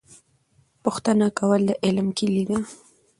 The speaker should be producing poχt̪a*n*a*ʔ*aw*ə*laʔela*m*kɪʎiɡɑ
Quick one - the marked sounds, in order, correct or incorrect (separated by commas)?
correct, incorrect, incorrect, correct